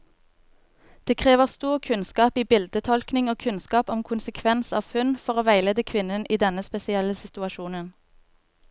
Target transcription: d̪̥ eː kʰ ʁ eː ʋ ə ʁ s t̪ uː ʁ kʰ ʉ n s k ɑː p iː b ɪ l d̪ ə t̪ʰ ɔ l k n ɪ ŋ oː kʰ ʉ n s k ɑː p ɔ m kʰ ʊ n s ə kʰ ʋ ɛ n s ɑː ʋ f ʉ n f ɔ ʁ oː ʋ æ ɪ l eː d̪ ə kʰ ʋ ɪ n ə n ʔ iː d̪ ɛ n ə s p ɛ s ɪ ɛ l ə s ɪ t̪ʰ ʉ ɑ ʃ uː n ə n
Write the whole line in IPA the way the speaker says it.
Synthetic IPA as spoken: d̪̥ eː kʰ ʁ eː ʋ ə ʁ s t̪ uː ʁ kʰ ʉ n s k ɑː p iː b ɪ l d̪ ə t̪ʰ ɔ l k n ɪ ŋ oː kʰ ʉ n s k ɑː p ɔ m kʰ ʊ n s ə kʰ ʋ ɛ n s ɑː ʋ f ʉ n f ɔ ʁ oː ʋ æ ɪ l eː d̪ ə kʰ ʋ ɪ n ə n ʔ iː d̪ ɛ n ə s p ɛ s ɪ ɛ l ə s ɪ t̪ ʉ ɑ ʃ uː n ə n

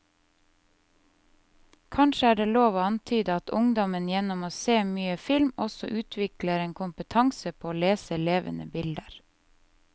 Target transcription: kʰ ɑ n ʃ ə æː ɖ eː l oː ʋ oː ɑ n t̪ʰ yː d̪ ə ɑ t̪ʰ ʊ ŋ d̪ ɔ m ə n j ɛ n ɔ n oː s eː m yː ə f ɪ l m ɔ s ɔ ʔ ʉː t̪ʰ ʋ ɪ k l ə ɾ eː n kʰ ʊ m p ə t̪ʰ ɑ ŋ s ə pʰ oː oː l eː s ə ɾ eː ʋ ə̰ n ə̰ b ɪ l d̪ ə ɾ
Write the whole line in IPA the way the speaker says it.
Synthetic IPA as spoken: kʰ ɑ n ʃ ə æː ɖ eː l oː ʋ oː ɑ n t̪ʰ yː d̪ ə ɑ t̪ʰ ʊ ŋ d̪ ɔ m ə n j ɛ n ɔ m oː s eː m yː ə f ɪ l m ɔ s ɔ ʔ ʉː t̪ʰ ʋ ɪ k l ə ɾ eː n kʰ ʊ m p ə t̪ʰ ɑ ŋ s ə pʰ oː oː l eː s ə l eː ʋ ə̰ n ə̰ b ɪ l d̪ ə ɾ

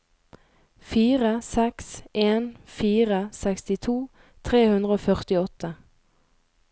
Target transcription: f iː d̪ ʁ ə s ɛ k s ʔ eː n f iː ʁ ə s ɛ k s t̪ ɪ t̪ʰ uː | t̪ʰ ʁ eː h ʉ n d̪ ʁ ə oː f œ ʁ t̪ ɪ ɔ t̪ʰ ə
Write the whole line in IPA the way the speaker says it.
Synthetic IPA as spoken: f iː ʁ ə s ɛ k s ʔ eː n f iː ʁ ə s ɛ k s t̪ ɪ t̪ʰ uː | t̪ʰ ʁ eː h ʉ n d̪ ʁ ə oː f œ ʁ t̪ ɪ ɔ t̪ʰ ə

